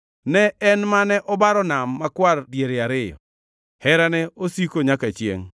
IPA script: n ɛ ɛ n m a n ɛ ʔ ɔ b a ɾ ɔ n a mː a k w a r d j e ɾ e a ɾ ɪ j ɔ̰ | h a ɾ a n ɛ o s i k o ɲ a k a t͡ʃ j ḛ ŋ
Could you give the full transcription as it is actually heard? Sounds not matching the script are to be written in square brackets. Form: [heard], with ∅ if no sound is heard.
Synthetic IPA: n ɛ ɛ n m a n ɛ ʔ ɔ b a ɾ ɔ n a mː a k w a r d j e ɾ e a ɾ ɪ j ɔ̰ | h [ɛ] ɾ a n ɛ o s i k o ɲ a k a t͡ʃ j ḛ ŋ